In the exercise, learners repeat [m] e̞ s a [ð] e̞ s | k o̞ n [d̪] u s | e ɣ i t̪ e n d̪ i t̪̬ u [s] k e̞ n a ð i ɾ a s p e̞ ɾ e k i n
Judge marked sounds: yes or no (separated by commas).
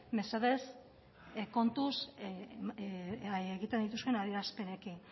yes, yes, no, yes